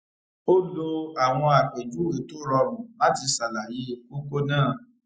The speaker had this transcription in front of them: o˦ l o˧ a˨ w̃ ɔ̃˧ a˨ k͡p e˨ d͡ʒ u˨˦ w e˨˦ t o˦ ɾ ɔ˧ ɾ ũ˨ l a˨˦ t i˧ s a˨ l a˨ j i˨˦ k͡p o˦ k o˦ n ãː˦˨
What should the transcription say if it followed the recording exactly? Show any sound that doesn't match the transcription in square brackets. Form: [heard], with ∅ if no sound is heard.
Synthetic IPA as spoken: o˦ l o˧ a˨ w̃ ɔ̃˧ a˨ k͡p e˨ d͡ʒ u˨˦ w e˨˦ t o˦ ɾ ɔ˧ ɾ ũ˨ l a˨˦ t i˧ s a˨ l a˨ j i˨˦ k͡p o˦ k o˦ n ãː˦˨

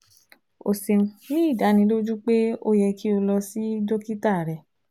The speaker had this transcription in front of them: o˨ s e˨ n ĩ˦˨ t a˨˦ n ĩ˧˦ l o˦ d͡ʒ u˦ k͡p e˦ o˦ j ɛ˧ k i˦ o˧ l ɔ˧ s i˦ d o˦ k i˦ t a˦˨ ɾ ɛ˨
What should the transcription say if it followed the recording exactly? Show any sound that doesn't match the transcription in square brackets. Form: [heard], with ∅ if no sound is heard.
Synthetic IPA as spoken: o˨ s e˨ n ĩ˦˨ [d] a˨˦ n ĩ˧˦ l o˦ d͡ʒ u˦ k͡p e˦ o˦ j ɛ˧ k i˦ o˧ l ɔ˧ s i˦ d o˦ k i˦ t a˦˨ ɾ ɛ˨

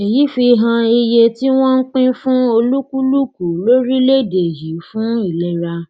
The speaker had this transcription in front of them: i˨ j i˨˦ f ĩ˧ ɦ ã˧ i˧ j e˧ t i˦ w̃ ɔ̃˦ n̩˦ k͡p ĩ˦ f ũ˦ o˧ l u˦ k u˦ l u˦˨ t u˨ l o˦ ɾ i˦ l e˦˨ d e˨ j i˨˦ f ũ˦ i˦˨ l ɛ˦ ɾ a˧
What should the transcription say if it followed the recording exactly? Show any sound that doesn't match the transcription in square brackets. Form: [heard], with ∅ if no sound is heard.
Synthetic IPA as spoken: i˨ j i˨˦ f [i˧] ɦ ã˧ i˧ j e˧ t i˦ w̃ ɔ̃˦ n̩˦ k͡p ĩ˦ f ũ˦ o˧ l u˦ k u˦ l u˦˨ [k] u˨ l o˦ ɾ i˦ l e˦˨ d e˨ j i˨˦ f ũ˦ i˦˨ l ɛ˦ ɾ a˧

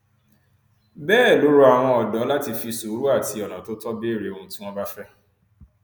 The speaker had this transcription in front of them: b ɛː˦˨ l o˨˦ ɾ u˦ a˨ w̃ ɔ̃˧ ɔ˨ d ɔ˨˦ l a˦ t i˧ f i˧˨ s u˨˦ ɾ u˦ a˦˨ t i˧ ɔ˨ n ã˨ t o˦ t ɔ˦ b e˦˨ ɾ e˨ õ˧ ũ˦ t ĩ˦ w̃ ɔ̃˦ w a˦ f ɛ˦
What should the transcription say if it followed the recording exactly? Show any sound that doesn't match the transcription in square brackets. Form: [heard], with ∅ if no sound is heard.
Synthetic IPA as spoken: b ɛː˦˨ l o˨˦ ɾ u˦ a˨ w̃ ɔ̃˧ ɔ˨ d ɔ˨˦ l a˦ t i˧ f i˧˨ s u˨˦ ɾ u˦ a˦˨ t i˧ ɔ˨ n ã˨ t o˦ t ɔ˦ b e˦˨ ɾ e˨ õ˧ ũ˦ t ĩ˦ w̃ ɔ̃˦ [b] a˦ f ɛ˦

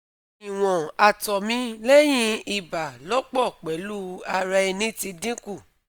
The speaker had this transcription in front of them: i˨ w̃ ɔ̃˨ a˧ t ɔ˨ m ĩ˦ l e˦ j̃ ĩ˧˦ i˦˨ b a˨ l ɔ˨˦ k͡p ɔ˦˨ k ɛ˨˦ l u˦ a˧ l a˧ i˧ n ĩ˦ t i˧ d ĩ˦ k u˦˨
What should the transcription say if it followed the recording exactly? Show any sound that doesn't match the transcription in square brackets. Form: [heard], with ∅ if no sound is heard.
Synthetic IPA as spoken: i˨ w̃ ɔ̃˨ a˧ t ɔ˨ m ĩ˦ l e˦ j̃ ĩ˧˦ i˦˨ b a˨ l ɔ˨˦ k͡p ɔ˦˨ [k͡p] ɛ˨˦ l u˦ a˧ [ɾ] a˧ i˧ n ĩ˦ t i˧ d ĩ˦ k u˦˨

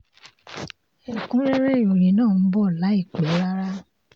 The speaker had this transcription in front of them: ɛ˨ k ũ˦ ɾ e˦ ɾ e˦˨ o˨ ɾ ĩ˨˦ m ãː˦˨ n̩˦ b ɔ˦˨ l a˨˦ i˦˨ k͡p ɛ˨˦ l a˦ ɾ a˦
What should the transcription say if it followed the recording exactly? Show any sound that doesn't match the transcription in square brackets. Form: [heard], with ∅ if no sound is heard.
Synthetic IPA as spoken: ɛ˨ k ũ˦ ɾ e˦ ɾ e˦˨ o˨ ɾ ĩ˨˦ [n] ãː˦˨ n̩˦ b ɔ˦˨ l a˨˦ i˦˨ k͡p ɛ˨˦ [ɾ] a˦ ɾ a˦

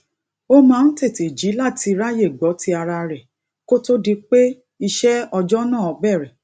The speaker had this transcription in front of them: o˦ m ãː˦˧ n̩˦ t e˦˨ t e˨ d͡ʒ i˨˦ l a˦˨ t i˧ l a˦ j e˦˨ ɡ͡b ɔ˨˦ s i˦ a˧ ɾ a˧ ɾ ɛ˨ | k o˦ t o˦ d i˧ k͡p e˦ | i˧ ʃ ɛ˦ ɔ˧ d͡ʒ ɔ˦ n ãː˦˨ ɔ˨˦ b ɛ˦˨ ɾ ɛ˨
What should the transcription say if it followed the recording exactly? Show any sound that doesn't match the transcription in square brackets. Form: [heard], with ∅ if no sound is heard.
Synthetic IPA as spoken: o˦ m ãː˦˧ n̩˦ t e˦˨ t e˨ d͡ʒ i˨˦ l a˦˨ t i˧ [ɾ] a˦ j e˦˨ ɡ͡b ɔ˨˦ [t] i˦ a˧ ɾ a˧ ɾ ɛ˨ | k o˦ t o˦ d i˧ k͡p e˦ | i˧ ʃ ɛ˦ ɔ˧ d͡ʒ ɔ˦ n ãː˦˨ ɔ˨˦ b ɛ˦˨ ɾ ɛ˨

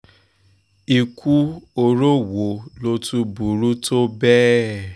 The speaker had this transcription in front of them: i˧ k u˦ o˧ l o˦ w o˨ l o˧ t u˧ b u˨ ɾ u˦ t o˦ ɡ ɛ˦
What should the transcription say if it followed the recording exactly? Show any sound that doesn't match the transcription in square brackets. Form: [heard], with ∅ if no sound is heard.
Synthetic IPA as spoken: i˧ k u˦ o˧ [ɾ] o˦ w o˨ l o˧ t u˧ b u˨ ɾ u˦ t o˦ [b] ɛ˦

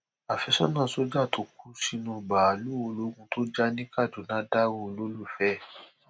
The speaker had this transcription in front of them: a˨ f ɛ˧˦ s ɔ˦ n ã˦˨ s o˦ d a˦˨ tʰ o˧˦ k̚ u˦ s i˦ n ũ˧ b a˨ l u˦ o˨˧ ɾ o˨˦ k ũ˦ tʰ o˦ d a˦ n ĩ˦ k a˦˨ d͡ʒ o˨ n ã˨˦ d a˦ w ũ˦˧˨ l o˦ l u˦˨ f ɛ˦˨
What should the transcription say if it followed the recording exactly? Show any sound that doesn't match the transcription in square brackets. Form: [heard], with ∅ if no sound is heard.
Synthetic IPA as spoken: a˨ f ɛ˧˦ s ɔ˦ n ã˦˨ s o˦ [d͡ʒ] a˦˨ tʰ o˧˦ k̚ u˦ s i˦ n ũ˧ b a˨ l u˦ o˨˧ [l] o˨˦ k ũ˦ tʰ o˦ [d͡ʒ] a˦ n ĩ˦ k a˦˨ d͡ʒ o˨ n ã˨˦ d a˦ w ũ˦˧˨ l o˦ l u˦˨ f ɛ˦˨

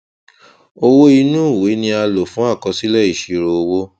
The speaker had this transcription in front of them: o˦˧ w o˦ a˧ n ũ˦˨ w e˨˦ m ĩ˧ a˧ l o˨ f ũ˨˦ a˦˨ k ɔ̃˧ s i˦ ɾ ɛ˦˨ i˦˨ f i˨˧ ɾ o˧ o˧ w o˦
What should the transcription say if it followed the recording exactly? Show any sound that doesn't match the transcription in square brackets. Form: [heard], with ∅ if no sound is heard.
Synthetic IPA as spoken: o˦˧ w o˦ [i˧] n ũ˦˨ w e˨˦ [n] ĩ˧ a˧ l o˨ f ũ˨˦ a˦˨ k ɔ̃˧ s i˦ [l] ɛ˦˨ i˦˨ [ʃ] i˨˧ ɾ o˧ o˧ w o˦

